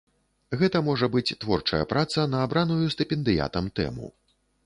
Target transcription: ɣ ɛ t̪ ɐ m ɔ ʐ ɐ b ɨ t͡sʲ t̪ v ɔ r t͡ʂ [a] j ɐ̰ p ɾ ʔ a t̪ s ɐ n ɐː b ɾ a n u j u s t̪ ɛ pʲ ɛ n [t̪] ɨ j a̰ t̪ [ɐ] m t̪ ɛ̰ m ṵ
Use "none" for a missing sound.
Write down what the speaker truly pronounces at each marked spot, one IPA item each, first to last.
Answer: ɐ, d̪, ɐ

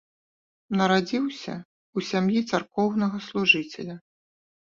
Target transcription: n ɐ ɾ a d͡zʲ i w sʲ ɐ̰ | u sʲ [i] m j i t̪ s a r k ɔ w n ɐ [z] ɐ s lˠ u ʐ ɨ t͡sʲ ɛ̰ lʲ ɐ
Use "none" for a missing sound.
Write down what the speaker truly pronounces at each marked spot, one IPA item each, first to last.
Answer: a, ɣ

